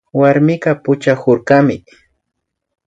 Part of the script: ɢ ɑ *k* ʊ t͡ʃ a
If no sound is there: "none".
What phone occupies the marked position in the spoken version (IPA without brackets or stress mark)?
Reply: p